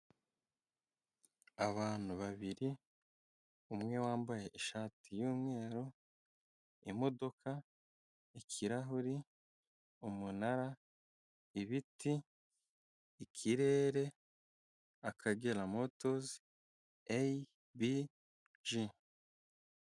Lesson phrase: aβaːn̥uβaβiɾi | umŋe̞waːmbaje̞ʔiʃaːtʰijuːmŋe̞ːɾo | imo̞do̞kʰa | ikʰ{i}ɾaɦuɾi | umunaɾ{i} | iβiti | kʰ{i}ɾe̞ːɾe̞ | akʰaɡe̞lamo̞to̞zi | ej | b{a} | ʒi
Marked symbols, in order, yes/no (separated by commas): yes, no, yes, no